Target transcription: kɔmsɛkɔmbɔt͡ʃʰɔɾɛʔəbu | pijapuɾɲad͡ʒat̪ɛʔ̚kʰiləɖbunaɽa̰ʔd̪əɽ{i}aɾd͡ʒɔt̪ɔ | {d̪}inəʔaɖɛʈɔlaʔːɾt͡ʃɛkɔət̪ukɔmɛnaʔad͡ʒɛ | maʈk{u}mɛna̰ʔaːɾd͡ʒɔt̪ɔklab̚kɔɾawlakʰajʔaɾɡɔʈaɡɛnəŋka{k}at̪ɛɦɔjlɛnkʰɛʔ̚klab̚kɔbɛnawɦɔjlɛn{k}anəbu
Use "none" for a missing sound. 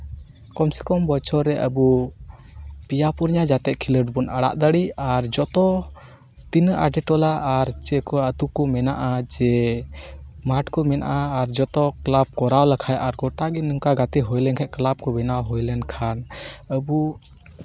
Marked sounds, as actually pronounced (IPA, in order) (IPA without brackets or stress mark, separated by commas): i, t̪, ɔ, ɡ, kʰ